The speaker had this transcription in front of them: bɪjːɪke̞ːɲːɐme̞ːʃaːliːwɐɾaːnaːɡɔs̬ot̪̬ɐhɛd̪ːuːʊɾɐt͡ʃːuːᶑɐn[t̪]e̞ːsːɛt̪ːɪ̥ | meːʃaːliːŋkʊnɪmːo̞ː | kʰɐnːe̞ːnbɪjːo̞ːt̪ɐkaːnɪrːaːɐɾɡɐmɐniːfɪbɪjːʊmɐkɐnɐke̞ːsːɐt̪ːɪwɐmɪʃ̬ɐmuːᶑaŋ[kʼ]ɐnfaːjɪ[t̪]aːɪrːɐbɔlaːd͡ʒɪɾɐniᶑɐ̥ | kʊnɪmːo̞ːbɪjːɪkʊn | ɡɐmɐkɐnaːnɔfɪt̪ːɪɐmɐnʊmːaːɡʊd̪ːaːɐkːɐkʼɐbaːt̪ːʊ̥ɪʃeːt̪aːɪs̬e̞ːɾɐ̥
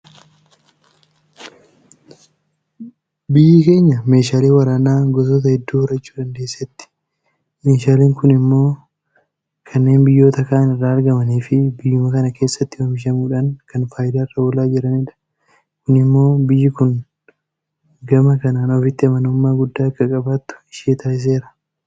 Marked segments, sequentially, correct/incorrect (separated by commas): incorrect, incorrect, incorrect